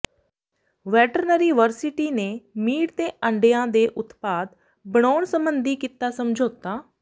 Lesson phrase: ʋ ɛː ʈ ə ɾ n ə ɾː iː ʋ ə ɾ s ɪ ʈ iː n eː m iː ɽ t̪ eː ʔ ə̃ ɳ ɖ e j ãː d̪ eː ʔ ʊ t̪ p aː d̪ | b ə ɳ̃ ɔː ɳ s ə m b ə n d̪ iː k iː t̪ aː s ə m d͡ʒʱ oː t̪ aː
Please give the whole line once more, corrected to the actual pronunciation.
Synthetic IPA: ʋ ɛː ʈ ə ɾ n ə ɾ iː ʋ ə ɾ s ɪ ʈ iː n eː m iː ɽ t̪ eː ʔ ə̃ ɳ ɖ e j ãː d̪ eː ʔ ʊ t̪ p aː d̪ | b ə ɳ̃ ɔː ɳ s ə m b ə n d̪ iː k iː t̪ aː s ə m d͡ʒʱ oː t̪ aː